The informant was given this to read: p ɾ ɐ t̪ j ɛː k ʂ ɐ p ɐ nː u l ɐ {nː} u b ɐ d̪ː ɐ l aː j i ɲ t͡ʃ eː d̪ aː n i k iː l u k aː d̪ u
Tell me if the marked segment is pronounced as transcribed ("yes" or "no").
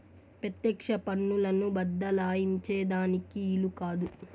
no